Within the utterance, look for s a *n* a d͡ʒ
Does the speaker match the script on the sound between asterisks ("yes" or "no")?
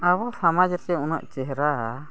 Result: no